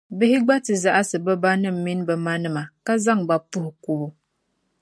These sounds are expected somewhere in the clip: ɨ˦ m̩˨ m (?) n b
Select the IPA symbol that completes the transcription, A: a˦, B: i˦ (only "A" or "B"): B